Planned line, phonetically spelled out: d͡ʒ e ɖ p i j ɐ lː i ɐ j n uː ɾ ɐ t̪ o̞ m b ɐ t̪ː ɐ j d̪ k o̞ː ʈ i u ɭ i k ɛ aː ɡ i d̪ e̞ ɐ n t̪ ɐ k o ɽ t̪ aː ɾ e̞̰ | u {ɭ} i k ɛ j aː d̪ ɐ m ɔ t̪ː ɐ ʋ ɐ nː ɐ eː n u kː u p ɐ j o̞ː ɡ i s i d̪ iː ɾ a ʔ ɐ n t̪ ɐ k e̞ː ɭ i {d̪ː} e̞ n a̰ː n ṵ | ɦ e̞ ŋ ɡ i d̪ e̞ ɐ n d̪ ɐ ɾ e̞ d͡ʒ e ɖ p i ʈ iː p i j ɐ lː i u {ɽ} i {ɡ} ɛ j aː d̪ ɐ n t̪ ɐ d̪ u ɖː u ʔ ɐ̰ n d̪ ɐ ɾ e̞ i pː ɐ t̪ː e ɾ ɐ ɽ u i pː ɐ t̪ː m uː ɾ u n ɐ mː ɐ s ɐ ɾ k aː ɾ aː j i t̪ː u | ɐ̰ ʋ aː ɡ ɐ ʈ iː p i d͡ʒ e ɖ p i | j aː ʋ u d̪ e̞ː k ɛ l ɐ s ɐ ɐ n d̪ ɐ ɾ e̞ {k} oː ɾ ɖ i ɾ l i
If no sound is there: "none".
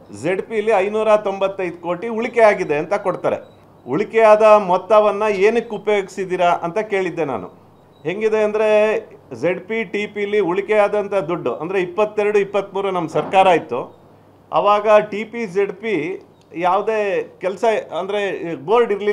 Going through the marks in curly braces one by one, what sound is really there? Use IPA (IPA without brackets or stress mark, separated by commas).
ɭ, d̪ː, ɭ, k, ɡ